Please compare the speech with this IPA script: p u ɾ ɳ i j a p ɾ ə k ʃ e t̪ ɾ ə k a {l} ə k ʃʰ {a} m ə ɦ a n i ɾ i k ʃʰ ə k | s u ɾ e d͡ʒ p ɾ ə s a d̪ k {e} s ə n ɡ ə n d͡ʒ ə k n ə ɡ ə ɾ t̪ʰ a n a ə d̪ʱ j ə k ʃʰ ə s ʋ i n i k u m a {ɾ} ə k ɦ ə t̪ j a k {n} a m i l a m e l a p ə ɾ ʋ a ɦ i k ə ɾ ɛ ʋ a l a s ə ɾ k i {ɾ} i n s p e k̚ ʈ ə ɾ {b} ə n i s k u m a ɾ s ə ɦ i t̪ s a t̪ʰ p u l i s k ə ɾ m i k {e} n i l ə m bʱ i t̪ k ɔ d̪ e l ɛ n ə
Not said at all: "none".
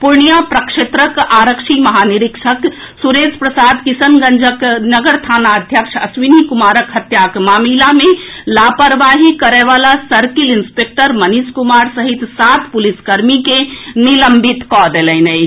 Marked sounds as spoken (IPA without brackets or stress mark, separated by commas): ɾ, i, i, ɾ, m, l, m, e